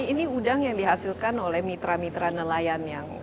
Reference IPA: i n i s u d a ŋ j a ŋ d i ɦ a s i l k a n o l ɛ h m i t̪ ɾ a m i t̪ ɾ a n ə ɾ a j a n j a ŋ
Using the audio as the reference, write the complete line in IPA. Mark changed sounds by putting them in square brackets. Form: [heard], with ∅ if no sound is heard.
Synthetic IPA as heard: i n i [∅] u d a ŋ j a ŋ d i ɦ a s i l k a n o l ɛ h m i t̪ ɾ a m i t̪ ɾ a n ə [l] a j a n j a ŋ